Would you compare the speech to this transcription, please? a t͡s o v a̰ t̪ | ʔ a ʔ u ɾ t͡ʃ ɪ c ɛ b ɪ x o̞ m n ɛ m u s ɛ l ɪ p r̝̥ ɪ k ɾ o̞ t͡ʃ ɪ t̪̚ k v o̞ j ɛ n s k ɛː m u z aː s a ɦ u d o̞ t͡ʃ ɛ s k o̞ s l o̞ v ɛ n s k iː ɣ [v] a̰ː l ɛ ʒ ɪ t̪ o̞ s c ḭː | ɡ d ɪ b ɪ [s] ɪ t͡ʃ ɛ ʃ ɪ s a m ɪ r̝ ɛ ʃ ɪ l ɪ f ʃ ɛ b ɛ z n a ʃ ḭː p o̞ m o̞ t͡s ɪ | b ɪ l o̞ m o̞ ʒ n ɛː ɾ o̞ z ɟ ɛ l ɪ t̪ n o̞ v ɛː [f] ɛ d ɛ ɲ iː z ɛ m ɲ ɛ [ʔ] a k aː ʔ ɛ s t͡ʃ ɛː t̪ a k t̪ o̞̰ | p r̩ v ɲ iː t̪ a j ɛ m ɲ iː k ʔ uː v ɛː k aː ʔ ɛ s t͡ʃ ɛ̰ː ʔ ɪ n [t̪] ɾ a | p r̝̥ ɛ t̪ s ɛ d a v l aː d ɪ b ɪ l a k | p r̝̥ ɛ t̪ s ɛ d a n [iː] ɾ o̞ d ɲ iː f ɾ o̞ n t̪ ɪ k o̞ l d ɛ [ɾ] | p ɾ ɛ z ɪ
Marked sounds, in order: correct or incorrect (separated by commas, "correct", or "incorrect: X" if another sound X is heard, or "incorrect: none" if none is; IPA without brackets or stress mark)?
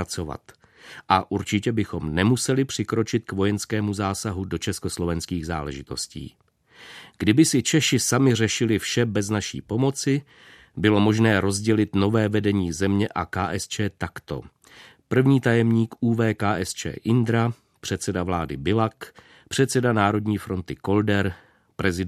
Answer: incorrect: z, correct, incorrect: v, correct, incorrect: d̪, incorrect: aː, correct